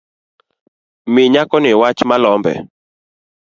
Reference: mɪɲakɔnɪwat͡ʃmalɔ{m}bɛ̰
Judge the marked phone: correct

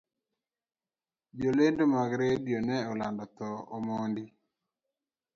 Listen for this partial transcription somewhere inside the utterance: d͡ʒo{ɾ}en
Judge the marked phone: incorrect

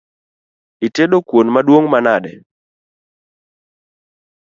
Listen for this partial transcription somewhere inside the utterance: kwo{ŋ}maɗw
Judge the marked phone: incorrect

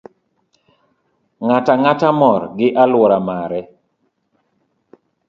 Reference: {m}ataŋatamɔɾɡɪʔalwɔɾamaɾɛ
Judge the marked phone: incorrect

